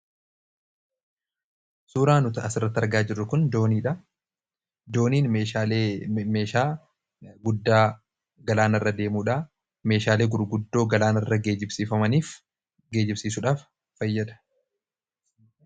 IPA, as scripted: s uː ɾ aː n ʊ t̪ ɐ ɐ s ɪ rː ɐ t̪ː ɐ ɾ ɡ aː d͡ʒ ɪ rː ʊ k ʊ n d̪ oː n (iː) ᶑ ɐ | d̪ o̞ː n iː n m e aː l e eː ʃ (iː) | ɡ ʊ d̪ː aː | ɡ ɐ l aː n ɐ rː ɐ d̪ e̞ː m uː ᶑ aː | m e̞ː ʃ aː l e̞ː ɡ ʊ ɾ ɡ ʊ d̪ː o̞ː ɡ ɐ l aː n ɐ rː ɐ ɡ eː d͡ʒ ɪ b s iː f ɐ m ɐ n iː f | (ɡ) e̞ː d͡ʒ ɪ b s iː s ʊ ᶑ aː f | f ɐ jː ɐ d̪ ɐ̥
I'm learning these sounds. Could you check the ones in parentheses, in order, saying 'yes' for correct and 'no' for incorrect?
yes, no, yes

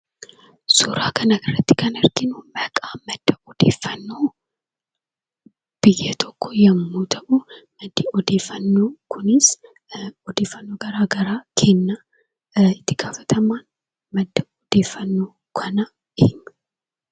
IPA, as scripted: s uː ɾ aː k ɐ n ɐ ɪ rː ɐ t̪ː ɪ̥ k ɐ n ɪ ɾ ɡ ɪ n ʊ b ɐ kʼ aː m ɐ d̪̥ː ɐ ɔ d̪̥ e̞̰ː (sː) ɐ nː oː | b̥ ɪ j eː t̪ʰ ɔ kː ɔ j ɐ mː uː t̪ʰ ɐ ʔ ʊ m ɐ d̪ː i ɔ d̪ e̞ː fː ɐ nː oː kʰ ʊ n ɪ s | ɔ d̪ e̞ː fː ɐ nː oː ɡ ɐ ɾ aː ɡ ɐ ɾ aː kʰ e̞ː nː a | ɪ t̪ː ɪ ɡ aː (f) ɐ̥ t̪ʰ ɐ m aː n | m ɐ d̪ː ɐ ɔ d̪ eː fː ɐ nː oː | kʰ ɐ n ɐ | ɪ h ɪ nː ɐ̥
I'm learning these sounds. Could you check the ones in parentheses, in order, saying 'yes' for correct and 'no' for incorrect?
no, yes

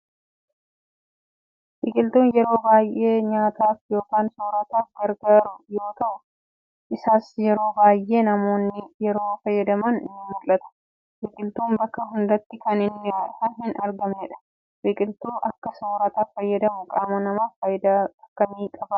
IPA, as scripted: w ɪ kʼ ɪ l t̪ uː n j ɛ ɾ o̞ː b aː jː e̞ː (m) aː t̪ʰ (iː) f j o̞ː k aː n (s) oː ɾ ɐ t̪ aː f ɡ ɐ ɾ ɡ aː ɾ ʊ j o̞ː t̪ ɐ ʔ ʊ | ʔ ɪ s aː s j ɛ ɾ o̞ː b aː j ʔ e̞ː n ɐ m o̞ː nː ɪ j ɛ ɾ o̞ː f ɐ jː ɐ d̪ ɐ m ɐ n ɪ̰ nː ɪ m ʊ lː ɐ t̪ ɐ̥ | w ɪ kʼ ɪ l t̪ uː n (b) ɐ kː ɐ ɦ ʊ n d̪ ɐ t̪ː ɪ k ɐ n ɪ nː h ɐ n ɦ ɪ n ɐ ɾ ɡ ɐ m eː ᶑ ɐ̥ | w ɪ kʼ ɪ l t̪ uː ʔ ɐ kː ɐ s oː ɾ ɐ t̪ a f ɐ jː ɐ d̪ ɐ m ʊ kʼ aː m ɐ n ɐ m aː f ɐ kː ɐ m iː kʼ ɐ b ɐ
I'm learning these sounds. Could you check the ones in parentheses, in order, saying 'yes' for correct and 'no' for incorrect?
no, no, yes, yes

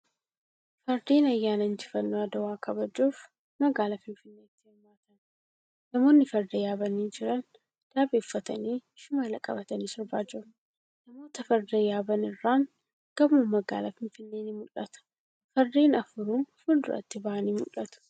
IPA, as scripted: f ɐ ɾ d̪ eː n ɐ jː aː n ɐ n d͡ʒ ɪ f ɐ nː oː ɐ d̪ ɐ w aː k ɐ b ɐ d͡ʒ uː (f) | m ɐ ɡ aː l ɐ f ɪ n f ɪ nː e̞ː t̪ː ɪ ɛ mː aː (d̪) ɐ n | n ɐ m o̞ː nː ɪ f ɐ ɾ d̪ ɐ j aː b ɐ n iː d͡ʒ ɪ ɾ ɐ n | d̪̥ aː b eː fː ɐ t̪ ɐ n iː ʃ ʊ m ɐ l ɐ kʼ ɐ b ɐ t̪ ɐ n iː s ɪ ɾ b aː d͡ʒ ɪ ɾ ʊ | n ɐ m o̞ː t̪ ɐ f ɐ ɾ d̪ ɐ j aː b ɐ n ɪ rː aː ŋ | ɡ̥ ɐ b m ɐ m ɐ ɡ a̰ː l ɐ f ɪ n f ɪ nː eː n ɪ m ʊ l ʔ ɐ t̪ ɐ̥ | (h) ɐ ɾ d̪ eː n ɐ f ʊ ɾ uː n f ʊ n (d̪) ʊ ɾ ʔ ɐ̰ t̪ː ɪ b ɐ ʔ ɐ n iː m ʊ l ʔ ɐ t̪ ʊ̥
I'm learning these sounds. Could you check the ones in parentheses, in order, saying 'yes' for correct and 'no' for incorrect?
yes, no, no, yes

